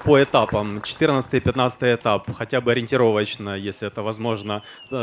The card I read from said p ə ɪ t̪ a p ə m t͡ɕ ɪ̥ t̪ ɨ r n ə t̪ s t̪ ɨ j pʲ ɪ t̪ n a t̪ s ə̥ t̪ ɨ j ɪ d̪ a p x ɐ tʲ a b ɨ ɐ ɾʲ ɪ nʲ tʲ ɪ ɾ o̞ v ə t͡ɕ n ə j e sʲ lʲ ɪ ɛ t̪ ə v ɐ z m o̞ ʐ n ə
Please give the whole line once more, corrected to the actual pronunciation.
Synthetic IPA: p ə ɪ t̪ a p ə m t͡ɕ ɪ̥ t̪ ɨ r n ə t̪ s t̪ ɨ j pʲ ɪ t̪ n a t̪ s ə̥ t̪ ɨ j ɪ t̪ a p x ɐ tʲ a b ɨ ɐ ɾʲ ɪ nʲ tʲ ɪ ɾ o̞ v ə t͡ɕ n ə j e sʲ lʲ ɪ ɛ t̪ ə v ɐ z m o̞ ʐ n ə